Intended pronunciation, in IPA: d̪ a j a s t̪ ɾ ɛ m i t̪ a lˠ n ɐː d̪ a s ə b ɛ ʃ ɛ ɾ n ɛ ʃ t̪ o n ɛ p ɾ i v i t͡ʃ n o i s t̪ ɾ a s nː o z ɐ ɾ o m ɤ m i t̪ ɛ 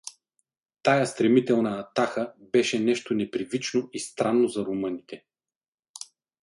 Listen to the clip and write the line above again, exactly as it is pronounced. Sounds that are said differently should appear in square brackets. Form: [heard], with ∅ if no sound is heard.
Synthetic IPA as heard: [t̪] a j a s t̪ ɾ ɛ m i t̪ [ɛ] lˠ n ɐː [t̪] a [x] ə b ɛ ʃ ɛ [∅] n ɛ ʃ t̪ o n ɛ p ɾ i v i t͡ʃ n o i s t̪ ɾ a [∅] nː o z ɐ ɾ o m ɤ [n] i t̪ ɛ